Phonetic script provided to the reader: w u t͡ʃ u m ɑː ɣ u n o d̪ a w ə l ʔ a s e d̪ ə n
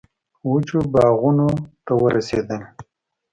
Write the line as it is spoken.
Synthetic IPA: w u t͡ʃ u b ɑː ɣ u n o t̪ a w ə ɾ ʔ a s e d̪ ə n